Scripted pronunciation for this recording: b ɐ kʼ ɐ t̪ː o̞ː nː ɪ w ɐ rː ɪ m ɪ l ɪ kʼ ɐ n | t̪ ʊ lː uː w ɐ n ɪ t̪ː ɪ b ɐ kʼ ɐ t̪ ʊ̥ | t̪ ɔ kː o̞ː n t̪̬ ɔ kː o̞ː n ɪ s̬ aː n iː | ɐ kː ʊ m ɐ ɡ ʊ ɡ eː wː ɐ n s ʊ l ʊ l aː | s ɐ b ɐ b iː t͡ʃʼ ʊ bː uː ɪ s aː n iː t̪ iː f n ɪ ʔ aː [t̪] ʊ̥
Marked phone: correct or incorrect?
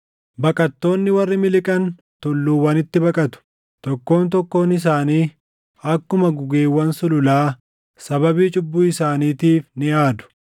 incorrect: d̪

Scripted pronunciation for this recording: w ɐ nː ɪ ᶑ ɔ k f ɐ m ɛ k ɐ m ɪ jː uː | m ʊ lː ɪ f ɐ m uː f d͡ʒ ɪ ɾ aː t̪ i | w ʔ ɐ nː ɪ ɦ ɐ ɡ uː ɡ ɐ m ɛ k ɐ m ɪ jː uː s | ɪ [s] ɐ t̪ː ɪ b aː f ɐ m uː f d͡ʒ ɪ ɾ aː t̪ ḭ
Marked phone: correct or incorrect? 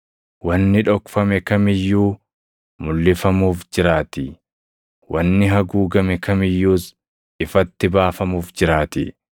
incorrect: f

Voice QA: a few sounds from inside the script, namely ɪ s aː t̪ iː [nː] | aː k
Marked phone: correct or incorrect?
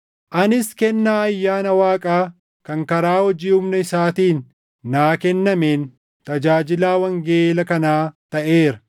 correct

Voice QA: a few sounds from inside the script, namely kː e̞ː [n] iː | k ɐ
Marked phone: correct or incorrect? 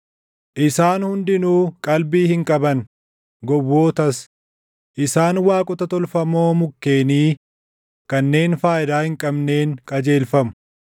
correct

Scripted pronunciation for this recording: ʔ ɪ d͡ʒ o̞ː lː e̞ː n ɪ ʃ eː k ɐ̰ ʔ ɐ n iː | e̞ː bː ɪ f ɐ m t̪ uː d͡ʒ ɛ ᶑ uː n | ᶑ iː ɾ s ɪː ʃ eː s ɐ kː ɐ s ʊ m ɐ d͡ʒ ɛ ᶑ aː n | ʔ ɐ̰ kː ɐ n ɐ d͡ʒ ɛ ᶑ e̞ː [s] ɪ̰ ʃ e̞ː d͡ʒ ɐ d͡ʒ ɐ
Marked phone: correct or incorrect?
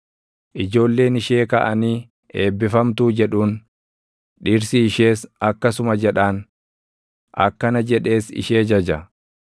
correct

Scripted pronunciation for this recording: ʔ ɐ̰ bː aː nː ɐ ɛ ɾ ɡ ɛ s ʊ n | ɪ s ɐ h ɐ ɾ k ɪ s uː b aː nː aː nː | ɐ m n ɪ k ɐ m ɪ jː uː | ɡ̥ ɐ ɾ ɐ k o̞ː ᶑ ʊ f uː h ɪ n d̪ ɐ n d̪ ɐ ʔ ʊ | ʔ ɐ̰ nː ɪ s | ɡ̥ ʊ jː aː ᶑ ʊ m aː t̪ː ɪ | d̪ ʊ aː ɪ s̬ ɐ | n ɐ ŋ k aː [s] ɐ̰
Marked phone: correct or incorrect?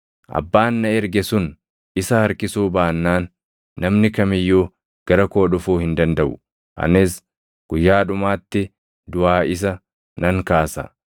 correct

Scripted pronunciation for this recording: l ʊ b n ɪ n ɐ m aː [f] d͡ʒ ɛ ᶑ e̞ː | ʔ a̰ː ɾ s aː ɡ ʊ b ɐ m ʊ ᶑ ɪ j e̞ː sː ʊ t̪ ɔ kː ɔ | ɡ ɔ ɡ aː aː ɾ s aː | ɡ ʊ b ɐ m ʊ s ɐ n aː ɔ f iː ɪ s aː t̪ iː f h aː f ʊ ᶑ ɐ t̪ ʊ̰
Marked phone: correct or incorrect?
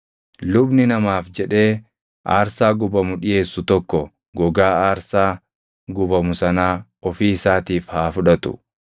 correct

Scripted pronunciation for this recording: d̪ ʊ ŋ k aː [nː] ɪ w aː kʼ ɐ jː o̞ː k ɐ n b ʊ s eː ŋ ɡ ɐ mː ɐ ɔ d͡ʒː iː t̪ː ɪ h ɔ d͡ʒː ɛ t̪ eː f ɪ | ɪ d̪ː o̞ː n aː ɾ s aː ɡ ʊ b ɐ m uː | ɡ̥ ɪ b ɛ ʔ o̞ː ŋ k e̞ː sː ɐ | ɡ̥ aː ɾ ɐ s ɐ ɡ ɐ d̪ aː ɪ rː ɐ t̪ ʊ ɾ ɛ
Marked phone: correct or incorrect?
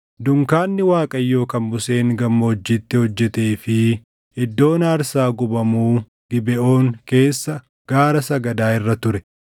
correct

